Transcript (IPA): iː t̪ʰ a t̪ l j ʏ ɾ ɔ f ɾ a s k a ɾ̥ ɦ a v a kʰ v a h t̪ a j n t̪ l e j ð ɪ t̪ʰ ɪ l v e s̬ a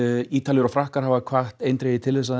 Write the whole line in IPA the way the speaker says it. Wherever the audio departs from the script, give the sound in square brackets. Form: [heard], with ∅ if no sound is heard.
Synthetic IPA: iː [t̪] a [∅] l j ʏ ɾ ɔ f ɾ a [h] k a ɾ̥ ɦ a v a kʰ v a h t̪ [e] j n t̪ [ɾ] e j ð ɪ t̪ʰ ɪ l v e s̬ a

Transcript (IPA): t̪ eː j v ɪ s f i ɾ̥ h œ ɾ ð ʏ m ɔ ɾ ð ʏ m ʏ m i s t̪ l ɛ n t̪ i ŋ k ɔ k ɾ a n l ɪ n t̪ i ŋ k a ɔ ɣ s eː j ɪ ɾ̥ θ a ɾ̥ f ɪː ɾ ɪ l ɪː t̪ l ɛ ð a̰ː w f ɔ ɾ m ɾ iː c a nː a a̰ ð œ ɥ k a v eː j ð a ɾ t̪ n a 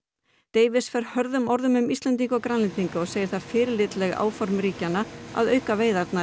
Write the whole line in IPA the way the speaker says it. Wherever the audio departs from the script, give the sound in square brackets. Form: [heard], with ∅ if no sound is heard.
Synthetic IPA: t̪ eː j v ɪ s f [ɛ] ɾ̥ h œ ɾ ð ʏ m ɔ ɾ ð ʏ m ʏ m i s t̪ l ɛ n t̪ i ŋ k ɔ k ɾ a n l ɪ n t̪ i ŋ k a ɔ ɣ s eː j ɪ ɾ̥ θ a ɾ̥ f ɪː ɾ ɪ l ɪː t̪ l ɛ [ɣ] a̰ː w f ɔ ɾ m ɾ iː c a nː a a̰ ð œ ɥ k a v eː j ð a ɾ t̪ n a

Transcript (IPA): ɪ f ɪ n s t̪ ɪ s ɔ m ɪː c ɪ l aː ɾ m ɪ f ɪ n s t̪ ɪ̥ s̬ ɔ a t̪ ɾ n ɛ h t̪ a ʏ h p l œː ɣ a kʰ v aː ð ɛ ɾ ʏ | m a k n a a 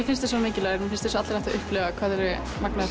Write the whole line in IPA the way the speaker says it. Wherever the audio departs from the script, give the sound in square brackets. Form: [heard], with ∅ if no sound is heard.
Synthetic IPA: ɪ f ɪ n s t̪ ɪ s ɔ m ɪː c ɪ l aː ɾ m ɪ f ɪ n s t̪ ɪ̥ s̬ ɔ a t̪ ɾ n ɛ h t̪ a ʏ h p l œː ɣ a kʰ v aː ð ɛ ɾ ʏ | m a k n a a

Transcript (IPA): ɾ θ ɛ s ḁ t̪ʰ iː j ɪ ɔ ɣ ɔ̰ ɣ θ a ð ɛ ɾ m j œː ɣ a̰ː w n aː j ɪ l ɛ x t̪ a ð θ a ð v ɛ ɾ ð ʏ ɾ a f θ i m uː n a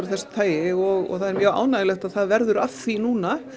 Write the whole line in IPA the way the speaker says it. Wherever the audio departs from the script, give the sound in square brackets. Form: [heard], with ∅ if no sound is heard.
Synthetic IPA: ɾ θ ɛ s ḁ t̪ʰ [aː] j ɪ ɔ ɣ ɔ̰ ɣ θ a ð ɛ ɾ m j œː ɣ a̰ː w n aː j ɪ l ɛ x t̪ a ð θ a ð v ɛ ɾ ð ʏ ɾ a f θ i [n] uː n a

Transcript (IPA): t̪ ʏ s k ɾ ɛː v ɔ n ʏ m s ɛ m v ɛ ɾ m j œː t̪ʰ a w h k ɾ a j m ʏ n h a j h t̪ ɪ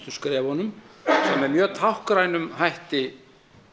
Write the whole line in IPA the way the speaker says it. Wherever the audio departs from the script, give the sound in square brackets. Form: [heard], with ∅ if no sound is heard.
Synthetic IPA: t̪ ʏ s k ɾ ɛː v ɔ n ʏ m s ɛ m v ɛ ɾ m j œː t̪ʰ a w h k ɾ a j [n] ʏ [m] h a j h t̪ ɪ

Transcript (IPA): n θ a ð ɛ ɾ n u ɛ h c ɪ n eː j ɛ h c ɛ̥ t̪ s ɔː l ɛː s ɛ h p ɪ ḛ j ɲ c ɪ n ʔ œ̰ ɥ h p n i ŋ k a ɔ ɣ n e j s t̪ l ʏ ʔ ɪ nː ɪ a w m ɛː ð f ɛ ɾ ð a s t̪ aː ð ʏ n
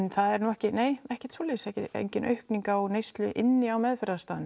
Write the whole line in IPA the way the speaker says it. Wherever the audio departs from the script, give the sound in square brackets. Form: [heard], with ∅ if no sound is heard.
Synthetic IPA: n θ a ð ɛ ɾ n u ɛ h c ɪ n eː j ɛ h c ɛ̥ t̪ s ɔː l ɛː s ɛ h [c] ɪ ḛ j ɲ c ɪ n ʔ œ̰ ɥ h [k] n i ŋ k a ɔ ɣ n e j s t̪ l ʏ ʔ ɪ nː ɪ a w m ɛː ð f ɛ ɾ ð a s t̪ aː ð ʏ n

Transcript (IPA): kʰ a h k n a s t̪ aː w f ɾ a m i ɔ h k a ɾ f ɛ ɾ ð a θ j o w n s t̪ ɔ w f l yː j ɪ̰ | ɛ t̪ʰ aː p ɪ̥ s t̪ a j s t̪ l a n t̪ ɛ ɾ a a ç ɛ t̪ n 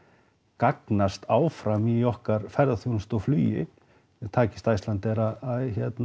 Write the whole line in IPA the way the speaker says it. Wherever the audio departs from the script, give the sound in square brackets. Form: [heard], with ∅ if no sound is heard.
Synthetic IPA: [k] a [∅] k n a s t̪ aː w f ɾ a m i ɔ h k a ɾ f ɛ ɾ ð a θ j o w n s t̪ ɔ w f l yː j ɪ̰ | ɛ t̪ʰ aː [c] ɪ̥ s t̪ a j s t̪ l a n t̪ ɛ ɾ a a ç ɛ t̪ n

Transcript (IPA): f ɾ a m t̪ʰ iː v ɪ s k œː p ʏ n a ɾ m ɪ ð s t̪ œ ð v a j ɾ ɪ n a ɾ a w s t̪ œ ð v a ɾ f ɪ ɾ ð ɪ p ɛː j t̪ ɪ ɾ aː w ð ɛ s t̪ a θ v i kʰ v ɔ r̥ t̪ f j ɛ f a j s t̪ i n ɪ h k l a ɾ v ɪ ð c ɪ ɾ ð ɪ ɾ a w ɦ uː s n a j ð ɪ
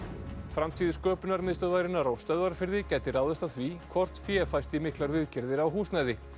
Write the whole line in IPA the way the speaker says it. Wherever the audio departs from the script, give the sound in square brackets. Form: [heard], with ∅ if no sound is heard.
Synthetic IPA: f ɾ a m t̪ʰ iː [ð] ɪ s k œː p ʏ n a ɾ m ɪ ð s t̪ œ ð v a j ɾ ɪ n a ɾ a w s t̪ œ ð v a ɾ f ɪ ɾ ð ɪ [c] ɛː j t̪ ɪ ɾ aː w ð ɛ s t̪ a θ v i kʰ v ɔ r̥ t̪ f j ɛ f a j s t̪ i [m] ɪ h k l a ɾ v ɪ ð c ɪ ɾ ð ɪ ɾ a w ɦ uː s n a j ð ɪ

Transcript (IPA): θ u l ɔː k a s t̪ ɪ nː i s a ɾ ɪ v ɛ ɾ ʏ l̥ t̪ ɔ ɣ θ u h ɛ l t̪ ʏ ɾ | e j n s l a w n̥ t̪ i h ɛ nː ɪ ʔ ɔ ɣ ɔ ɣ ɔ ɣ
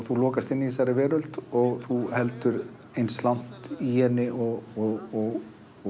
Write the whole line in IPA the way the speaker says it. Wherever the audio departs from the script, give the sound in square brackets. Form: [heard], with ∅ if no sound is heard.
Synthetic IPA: θ u l ɔː k a s t̪ ɪ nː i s a ɾ ɪ v [ɛː] ɾ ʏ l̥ t̪ ɔ ɣ θ u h ɛ l t̪ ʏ ɾ | e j n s l a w n̥ t̪ i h ɛ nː ɪ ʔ ɔ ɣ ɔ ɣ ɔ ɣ

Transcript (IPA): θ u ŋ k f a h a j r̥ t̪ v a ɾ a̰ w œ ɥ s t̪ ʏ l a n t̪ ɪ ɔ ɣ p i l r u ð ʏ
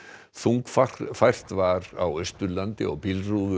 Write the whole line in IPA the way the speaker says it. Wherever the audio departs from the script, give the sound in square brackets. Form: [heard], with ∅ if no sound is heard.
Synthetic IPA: θ u ŋ k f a [f] a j r̥ t̪ v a ɾ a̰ w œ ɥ s t̪ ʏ l a n t̪ ɪ ɔ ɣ p i l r u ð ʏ

